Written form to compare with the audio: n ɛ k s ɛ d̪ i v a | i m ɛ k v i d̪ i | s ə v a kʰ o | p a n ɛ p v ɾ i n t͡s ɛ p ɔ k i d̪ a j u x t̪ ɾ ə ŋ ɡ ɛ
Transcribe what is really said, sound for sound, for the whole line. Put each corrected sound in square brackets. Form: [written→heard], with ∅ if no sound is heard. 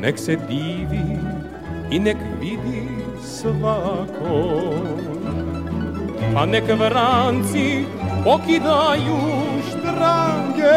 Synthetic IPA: n ɛ k s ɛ d̪ i v [a→i] | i [m→n] ɛ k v i d̪ i | s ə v a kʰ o | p a n ɛ [p→k] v ɾ [i→a] n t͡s [ɛ→i] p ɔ k i d̪ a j u [x→ʃ] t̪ ɾ [ə→a] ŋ ɡ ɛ